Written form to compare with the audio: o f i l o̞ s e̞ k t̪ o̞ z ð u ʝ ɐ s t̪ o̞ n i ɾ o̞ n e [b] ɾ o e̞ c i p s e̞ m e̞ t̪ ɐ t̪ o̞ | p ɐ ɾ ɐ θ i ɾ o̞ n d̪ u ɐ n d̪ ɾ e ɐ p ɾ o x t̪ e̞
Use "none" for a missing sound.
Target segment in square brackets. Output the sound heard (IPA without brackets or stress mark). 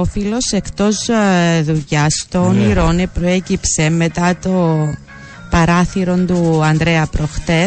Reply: p